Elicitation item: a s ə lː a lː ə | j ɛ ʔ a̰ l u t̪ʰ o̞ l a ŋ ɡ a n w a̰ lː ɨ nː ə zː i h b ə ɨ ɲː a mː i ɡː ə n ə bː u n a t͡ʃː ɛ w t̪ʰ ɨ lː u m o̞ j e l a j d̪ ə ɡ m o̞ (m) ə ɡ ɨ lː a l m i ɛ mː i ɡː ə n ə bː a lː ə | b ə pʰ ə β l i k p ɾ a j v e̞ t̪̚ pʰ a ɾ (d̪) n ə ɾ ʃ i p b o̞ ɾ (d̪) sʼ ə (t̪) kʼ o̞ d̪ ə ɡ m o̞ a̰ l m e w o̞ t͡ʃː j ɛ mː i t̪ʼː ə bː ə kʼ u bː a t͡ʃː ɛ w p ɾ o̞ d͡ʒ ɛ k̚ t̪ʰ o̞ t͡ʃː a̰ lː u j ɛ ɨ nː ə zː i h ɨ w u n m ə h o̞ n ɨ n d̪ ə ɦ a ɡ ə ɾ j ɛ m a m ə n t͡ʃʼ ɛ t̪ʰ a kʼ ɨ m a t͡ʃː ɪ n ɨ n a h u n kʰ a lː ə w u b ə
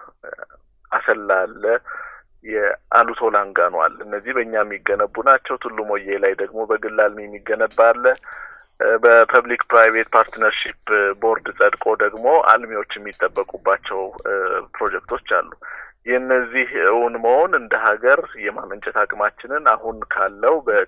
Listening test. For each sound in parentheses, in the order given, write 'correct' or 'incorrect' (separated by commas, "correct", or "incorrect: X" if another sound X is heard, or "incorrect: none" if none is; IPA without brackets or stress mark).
incorrect: b, incorrect: t̪, correct, incorrect: d̪